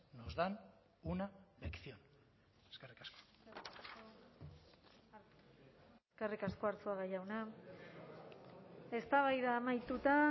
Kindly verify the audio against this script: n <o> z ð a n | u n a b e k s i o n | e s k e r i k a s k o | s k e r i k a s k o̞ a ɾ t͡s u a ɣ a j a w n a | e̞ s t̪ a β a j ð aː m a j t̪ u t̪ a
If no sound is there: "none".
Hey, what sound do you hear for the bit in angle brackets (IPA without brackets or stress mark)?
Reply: o